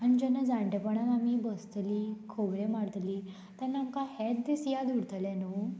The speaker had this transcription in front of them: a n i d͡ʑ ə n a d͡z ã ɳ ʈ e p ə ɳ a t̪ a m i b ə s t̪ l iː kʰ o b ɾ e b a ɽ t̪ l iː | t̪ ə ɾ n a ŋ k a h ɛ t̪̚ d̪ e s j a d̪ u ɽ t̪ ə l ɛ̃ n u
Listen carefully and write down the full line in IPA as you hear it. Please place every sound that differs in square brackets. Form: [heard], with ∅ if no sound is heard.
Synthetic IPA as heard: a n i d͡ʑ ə n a d͡z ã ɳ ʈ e p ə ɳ a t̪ a m i b ə s t̪ l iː kʰ o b ɾ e [m] a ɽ t̪ l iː | t̪ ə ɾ n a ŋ k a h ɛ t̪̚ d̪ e s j a d̪ u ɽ t̪ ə l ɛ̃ n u